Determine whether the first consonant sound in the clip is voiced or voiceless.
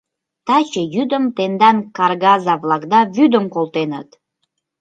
voiceless